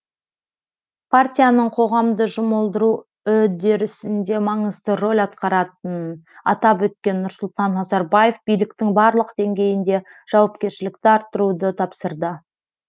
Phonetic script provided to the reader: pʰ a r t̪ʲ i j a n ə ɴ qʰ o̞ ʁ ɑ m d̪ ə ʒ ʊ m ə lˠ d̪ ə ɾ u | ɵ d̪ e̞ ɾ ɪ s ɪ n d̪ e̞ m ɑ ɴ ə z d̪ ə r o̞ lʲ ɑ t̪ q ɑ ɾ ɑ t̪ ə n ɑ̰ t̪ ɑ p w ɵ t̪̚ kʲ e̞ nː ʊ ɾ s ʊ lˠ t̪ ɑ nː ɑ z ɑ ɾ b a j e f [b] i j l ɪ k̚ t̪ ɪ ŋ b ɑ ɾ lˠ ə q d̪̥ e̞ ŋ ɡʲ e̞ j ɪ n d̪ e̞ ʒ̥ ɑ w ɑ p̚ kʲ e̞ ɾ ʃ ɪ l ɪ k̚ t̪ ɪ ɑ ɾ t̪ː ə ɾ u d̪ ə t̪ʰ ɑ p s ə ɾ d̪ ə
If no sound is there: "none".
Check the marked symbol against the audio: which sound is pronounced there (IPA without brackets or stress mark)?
b